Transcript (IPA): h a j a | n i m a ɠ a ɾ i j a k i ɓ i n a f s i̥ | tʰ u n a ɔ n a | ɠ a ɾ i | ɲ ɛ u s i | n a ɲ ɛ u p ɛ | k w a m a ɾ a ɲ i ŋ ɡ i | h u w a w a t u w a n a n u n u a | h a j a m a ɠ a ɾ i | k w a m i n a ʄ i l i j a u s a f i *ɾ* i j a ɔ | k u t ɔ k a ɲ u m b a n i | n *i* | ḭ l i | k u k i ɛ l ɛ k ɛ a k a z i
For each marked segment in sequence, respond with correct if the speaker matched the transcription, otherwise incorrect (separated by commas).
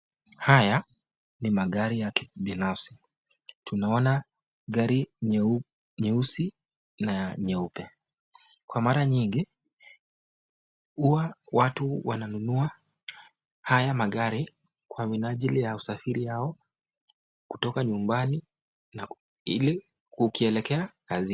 correct, incorrect